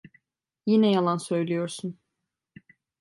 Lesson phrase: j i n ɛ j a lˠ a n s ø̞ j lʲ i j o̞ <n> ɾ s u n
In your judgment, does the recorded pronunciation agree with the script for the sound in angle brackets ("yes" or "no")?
no